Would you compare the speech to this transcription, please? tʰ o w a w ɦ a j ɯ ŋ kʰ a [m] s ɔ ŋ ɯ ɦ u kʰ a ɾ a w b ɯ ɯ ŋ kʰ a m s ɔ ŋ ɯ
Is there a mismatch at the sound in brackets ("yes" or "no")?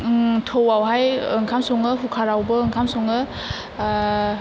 no